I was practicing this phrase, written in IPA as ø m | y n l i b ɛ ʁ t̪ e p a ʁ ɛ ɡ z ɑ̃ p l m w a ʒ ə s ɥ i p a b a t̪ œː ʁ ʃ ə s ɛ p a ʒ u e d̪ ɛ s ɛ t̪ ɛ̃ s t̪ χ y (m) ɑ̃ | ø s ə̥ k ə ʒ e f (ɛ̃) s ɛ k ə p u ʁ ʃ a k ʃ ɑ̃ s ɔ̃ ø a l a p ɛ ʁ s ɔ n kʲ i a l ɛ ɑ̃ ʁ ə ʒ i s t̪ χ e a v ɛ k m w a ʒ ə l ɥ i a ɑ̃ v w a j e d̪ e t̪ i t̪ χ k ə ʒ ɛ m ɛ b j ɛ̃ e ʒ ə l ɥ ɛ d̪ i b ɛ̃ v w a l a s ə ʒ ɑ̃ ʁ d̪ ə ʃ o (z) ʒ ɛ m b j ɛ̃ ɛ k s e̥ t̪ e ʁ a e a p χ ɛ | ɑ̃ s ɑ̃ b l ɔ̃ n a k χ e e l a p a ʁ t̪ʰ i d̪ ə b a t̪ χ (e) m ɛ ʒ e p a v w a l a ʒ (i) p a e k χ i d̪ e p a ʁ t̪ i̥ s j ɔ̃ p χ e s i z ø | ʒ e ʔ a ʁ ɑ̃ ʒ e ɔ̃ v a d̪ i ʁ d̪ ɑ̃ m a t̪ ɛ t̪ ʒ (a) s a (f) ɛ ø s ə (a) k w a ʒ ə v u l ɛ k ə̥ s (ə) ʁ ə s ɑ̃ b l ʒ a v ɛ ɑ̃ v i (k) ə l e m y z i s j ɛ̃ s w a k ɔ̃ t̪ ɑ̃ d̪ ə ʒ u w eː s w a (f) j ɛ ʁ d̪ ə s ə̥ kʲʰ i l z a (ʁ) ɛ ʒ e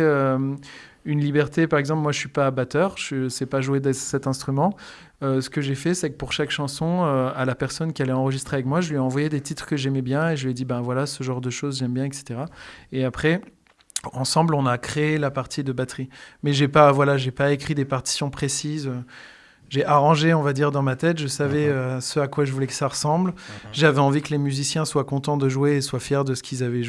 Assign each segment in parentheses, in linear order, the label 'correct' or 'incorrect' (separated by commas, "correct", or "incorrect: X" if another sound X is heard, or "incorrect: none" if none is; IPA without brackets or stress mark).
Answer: correct, incorrect: ɛ, correct, incorrect: i, incorrect: e, incorrect: ə, incorrect: v, correct, incorrect: a, correct, correct, incorrect: v